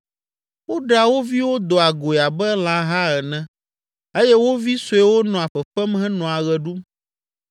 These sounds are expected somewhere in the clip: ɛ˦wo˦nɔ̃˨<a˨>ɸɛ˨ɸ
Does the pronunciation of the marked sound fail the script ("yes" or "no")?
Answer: no